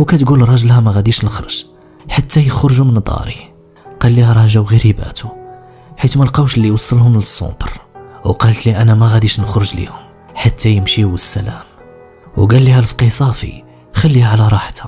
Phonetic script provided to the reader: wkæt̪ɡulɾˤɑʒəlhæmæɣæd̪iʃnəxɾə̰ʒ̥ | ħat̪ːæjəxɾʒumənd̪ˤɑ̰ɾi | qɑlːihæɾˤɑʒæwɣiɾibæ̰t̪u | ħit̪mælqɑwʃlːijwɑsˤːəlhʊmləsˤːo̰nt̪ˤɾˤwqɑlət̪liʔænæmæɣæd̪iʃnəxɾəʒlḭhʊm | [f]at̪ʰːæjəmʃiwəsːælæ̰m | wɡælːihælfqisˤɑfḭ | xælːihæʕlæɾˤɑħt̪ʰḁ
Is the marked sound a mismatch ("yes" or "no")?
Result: yes